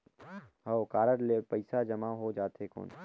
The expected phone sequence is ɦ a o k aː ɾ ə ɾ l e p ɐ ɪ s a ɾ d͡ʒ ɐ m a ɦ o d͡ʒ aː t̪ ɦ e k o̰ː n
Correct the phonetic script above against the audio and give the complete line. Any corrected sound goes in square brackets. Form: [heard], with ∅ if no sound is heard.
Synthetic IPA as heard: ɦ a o k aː ɾ ə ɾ l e p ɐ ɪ s a [∅] d͡ʒ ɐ m a ɦ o d͡ʒ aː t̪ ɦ e k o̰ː n